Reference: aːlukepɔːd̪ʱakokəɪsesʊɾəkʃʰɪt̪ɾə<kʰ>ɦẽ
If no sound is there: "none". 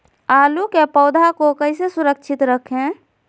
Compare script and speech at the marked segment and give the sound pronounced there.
kʰ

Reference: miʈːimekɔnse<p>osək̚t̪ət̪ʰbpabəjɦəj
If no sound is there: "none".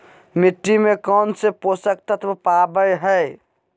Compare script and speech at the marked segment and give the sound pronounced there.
p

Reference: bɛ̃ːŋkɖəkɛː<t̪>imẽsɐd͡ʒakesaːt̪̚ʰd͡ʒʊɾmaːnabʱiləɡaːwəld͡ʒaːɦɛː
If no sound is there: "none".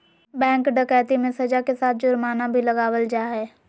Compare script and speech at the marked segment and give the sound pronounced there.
t̪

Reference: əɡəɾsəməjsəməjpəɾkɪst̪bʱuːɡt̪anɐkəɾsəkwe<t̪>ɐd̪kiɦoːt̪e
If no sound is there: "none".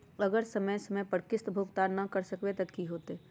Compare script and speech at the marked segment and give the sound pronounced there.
t̪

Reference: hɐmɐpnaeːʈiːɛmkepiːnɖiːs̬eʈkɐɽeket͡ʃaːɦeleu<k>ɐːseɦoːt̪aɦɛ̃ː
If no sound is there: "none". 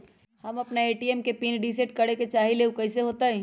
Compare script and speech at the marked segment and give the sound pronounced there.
k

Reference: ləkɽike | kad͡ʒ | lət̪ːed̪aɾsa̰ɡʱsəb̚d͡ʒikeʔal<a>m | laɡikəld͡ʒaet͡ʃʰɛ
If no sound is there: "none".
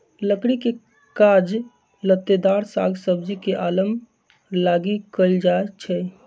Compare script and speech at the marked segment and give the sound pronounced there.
ə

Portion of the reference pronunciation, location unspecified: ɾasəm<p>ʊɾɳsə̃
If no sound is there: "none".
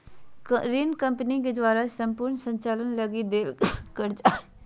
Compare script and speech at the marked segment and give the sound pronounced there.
p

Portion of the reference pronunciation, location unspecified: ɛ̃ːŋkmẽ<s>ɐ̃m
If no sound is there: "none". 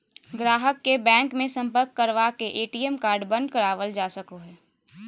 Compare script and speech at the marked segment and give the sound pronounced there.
s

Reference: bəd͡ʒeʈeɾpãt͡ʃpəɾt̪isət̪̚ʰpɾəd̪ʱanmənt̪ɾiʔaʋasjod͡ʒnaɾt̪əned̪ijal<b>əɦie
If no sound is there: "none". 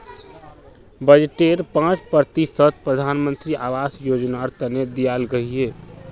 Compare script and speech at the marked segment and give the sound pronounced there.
ɡ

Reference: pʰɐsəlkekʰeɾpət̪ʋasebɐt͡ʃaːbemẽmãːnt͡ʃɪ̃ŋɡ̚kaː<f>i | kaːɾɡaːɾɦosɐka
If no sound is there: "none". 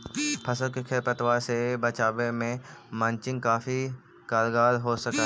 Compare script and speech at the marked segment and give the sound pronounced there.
f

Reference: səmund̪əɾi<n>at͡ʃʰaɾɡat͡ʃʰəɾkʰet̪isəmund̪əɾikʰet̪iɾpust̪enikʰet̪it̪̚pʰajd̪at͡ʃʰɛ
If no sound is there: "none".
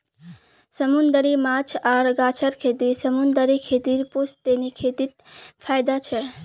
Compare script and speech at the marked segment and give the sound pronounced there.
m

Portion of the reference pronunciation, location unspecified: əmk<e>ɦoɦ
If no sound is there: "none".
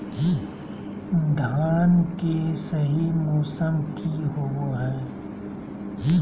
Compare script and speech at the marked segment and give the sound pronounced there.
i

